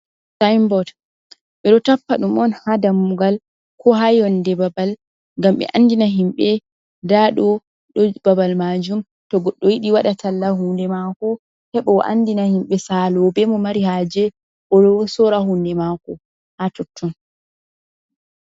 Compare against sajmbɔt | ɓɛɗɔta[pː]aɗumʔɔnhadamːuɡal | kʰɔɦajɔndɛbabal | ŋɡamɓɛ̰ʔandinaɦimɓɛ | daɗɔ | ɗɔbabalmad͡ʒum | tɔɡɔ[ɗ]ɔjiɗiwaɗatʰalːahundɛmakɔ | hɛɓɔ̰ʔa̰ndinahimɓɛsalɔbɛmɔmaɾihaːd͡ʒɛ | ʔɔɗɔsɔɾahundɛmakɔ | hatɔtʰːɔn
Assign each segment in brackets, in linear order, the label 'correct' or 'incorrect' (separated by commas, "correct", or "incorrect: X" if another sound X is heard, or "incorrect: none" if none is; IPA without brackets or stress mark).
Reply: correct, incorrect: ɗː